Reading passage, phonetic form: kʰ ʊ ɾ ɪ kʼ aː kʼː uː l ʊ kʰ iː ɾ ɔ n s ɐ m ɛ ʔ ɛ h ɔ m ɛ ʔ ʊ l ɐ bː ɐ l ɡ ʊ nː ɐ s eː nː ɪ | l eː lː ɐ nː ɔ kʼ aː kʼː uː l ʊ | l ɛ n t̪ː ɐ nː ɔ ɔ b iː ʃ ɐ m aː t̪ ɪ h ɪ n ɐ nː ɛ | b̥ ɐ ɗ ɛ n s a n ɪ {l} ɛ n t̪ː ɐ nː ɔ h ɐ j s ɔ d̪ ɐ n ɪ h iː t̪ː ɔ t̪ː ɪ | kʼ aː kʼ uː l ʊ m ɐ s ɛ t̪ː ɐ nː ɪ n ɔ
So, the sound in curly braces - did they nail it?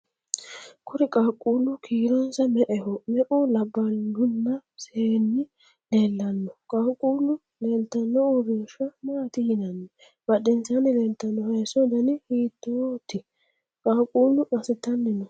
yes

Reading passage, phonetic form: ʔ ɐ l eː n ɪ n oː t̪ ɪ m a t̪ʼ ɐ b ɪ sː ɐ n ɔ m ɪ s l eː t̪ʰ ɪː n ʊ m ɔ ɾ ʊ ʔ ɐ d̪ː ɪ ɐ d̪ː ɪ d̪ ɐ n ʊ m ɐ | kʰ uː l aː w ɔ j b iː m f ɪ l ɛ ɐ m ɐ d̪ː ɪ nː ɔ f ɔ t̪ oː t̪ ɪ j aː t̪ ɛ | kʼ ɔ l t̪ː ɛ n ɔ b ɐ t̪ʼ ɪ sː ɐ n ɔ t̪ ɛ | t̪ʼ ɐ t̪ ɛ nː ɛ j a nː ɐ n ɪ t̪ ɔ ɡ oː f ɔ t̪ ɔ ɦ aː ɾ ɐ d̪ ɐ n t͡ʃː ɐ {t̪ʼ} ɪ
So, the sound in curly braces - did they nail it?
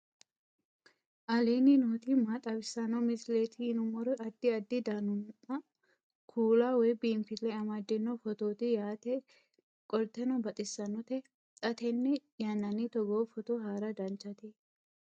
no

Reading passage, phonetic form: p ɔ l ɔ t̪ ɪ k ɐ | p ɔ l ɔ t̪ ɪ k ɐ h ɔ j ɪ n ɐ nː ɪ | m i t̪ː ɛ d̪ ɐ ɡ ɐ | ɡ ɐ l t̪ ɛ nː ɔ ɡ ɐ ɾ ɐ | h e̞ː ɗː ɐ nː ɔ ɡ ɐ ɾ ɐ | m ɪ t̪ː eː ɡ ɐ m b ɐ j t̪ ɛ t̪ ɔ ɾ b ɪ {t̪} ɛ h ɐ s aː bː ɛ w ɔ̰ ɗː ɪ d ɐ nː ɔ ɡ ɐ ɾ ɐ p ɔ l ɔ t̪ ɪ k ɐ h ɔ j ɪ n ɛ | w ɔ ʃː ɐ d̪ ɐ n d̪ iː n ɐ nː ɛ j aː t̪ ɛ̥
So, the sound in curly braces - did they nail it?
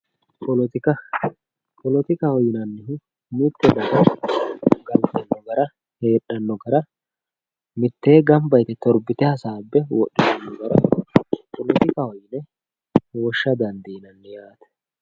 yes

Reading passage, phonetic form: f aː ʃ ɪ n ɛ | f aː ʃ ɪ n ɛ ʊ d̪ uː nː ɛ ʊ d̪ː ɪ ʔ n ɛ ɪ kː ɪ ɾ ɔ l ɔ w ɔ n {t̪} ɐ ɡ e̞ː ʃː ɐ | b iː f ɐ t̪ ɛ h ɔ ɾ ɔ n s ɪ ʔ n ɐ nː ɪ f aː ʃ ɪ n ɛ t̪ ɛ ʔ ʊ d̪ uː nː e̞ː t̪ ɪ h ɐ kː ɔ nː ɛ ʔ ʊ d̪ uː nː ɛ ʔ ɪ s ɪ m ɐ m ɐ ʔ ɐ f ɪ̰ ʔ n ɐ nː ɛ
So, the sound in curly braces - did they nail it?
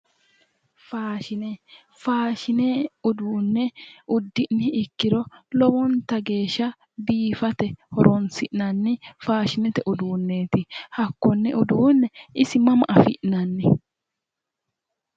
yes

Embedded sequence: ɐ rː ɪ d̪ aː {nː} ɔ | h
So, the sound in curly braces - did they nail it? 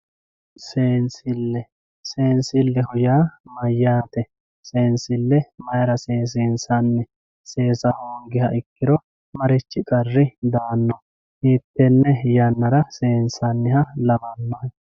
yes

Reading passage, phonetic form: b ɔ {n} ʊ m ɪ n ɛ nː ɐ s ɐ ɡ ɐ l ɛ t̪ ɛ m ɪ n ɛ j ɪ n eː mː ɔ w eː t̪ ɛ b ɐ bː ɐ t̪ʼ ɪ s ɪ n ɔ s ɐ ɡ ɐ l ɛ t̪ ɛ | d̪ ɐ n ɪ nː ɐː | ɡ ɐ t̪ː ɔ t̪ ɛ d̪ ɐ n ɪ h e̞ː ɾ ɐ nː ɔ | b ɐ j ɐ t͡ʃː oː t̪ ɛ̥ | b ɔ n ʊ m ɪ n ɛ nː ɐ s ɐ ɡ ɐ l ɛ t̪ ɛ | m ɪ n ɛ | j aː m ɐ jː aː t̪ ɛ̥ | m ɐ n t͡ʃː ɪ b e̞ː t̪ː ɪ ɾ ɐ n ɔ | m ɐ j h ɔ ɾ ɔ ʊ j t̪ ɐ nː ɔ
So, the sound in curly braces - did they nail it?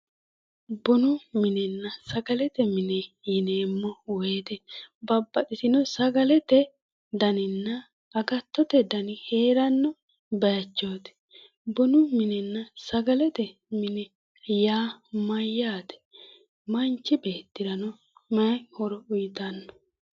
yes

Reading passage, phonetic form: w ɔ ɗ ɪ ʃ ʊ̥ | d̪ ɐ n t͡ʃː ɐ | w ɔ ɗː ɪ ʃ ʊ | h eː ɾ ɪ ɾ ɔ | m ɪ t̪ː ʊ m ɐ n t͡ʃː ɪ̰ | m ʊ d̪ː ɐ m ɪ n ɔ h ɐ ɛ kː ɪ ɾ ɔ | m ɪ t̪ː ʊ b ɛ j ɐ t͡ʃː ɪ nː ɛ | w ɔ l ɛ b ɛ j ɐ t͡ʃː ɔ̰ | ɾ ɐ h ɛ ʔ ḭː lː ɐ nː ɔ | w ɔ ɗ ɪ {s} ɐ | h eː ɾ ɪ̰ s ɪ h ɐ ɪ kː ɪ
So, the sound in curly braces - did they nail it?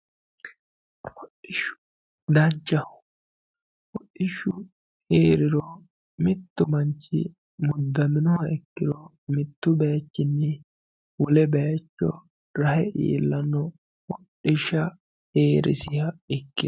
no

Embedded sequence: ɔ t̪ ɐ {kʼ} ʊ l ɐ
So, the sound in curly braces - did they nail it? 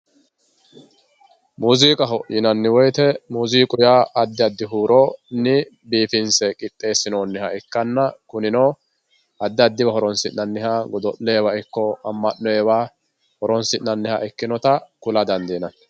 no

